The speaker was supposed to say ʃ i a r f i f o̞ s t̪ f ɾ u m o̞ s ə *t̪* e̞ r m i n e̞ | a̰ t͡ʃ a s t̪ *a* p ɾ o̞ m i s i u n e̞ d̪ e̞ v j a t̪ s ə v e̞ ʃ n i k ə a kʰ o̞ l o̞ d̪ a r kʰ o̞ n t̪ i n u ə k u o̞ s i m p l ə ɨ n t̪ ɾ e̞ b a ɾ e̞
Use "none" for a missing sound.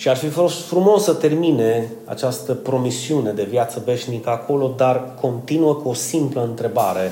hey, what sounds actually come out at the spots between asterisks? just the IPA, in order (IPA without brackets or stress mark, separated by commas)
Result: t̪, ə